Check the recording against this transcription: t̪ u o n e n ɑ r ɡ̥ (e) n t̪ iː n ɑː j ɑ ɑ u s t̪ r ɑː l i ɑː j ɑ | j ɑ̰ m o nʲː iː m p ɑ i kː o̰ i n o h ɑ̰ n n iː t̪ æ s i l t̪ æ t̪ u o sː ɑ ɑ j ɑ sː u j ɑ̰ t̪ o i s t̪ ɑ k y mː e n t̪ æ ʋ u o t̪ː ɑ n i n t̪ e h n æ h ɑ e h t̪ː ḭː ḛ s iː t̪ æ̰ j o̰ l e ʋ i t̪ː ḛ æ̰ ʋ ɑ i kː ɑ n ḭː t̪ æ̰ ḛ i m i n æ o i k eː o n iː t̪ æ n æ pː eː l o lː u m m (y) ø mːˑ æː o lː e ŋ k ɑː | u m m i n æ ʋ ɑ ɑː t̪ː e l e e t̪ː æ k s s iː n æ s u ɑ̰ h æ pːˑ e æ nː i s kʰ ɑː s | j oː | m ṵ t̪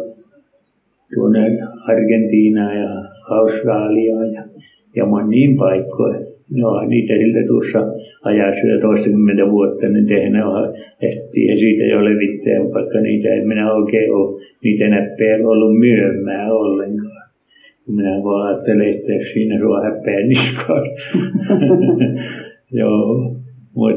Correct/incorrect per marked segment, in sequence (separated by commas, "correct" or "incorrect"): correct, correct